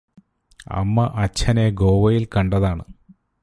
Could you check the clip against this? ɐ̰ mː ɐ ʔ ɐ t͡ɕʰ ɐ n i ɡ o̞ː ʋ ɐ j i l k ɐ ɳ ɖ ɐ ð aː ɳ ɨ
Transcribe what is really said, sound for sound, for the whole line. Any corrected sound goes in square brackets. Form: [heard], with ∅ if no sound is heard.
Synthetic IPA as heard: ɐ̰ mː ɐ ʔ ɐ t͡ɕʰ ɐ n [e] ɡ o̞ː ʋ ɐ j i l k ɐ ɳ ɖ ɐ ð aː ɳ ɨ